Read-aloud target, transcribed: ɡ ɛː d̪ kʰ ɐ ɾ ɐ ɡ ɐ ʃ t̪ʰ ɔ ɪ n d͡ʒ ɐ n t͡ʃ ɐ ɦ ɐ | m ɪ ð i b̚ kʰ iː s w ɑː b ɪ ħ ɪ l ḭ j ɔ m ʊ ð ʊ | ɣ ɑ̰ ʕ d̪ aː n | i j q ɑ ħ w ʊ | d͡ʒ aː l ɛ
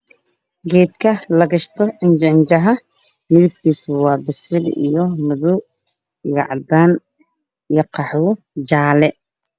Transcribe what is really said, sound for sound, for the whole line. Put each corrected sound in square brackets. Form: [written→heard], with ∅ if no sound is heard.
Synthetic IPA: ɡ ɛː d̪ kʰ ɐ [ɾ→l] ɐ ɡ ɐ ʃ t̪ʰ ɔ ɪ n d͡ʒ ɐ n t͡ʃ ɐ ɦ ɐ | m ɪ ð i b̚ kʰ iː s w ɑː b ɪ [ħ→s] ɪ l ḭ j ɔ m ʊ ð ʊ | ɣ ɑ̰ ʕ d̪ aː n | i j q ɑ ħ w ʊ | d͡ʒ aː l ɛ